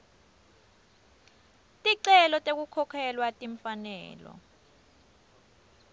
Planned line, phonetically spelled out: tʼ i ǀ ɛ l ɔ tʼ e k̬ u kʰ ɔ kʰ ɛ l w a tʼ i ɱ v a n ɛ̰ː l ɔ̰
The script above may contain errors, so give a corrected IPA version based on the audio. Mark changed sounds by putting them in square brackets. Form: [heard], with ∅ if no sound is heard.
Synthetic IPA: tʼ i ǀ ɛ l ɔ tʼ e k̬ u kʰ ɔ kʰ ɛ l w a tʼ i ɱ [f] a n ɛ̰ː l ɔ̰